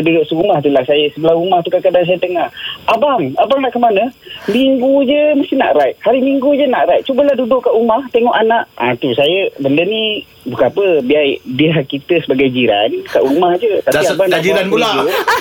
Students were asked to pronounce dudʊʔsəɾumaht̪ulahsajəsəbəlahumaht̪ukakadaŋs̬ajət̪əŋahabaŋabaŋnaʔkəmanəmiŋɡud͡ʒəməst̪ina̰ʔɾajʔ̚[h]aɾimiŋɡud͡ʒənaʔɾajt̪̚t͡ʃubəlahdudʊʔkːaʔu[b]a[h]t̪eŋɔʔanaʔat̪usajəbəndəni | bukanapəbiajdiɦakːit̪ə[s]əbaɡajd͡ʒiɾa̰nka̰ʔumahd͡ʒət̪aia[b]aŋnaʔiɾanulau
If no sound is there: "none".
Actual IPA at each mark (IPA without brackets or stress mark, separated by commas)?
h, m, h, s, b